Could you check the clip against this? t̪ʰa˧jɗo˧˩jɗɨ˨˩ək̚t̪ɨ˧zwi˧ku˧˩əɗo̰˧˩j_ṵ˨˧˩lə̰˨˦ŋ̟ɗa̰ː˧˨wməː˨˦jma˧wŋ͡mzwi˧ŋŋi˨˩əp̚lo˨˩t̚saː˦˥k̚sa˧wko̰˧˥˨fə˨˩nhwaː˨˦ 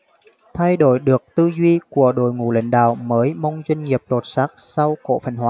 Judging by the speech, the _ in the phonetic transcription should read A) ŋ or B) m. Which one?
A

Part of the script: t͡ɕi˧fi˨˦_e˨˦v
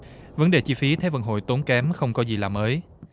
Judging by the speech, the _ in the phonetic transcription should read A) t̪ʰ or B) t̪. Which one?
A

